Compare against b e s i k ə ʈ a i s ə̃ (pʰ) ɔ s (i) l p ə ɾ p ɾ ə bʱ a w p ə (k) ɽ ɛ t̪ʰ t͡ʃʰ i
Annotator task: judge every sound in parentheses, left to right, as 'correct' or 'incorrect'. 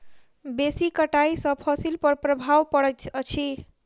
correct, correct, incorrect

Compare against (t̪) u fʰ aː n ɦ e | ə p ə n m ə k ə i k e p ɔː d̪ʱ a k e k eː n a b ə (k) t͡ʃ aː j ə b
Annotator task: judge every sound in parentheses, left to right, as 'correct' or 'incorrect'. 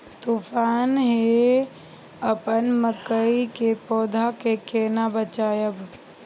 correct, incorrect

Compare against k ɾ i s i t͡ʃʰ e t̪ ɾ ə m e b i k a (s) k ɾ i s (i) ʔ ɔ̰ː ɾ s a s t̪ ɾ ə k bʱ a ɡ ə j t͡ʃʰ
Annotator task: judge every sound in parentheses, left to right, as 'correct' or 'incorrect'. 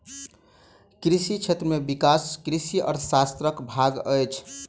correct, correct

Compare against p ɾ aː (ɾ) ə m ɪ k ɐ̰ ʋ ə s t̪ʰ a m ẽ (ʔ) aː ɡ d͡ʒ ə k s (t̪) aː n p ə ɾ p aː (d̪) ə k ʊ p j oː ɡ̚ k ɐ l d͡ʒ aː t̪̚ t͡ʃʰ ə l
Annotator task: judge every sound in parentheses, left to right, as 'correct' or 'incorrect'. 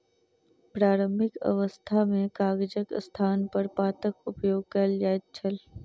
correct, incorrect, incorrect, incorrect

